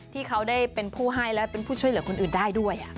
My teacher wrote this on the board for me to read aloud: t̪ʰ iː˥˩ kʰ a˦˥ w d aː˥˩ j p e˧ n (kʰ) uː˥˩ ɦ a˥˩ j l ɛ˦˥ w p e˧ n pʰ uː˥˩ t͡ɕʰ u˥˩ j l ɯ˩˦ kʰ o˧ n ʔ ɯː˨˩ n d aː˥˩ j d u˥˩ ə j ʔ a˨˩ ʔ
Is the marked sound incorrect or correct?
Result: incorrect